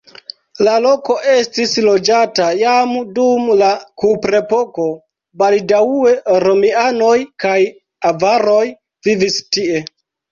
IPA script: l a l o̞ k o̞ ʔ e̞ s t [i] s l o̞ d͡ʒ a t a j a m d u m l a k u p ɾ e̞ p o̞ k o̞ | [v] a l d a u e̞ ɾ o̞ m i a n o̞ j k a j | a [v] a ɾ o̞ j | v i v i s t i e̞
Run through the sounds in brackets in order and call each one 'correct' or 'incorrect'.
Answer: correct, incorrect: b, correct

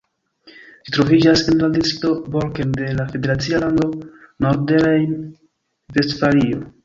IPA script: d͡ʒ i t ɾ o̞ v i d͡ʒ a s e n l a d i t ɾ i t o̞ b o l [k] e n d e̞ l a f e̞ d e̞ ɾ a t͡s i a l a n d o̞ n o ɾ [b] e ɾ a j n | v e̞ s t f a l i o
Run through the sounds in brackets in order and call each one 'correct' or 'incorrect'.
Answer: correct, incorrect: d

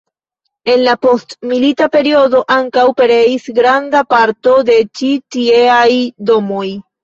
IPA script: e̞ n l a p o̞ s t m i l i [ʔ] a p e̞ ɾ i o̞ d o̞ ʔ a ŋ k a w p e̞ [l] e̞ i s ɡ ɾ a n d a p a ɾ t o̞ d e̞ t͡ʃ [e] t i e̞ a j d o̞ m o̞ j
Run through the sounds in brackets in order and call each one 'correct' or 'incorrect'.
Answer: incorrect: t, incorrect: ɾ, incorrect: i

